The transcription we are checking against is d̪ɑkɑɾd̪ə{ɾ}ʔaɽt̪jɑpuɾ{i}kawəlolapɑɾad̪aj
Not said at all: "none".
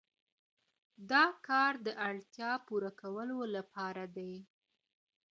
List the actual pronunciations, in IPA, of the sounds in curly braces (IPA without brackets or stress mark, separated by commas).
none, a